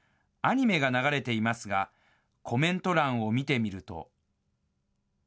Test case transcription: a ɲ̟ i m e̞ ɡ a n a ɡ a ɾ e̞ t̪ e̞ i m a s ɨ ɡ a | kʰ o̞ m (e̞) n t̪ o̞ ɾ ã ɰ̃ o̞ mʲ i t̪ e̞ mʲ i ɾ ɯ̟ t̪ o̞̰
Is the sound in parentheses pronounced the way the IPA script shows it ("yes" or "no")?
no